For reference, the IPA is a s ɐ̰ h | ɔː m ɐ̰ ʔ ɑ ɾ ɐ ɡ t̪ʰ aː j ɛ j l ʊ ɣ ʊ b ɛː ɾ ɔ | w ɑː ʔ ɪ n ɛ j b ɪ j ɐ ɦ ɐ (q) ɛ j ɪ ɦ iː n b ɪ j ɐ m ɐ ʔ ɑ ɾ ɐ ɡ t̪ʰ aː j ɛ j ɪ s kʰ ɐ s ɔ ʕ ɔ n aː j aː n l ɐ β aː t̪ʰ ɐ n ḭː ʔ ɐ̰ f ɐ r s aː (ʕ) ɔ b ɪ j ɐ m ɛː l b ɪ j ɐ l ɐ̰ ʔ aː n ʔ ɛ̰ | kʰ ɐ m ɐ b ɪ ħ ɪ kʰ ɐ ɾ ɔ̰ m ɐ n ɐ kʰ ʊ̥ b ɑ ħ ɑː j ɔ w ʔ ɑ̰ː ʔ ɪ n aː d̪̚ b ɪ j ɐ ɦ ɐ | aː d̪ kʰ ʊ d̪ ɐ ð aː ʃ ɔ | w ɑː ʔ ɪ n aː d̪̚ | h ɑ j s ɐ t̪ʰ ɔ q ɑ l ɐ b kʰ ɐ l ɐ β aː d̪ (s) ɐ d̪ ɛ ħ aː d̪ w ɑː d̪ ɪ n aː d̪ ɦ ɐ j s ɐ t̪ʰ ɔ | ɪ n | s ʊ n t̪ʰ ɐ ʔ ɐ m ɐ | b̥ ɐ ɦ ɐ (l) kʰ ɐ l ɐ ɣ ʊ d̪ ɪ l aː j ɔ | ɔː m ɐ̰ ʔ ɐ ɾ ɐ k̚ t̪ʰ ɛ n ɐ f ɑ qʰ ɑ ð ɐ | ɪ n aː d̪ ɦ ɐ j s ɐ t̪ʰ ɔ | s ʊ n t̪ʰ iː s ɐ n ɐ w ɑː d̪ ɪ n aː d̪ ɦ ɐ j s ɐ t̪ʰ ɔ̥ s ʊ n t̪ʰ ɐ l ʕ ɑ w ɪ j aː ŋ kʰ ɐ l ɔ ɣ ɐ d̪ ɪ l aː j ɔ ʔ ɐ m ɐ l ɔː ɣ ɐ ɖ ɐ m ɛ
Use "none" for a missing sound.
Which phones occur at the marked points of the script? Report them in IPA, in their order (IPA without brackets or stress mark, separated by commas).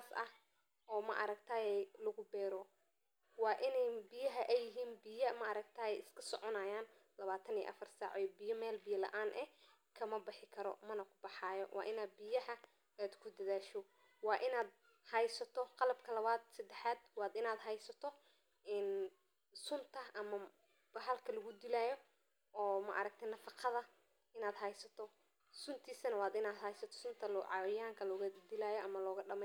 ʔ, ʕ, s, l